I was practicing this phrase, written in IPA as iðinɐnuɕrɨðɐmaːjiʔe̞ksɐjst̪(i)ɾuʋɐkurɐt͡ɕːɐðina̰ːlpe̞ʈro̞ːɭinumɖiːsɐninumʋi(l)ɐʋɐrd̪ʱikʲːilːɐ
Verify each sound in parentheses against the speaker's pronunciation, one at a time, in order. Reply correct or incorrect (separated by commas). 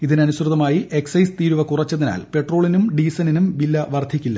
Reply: incorrect, incorrect